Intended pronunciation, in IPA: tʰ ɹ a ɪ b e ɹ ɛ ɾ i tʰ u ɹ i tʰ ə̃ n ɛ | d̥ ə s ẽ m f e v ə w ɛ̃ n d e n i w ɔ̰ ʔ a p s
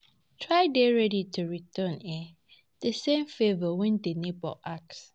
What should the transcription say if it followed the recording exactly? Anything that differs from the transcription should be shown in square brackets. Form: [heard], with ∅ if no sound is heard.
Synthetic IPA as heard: tʰ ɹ a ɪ [d] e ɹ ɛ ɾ i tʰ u ɹ i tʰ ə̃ n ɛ | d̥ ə s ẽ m f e v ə w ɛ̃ n d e n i [b] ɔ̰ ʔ a [k] s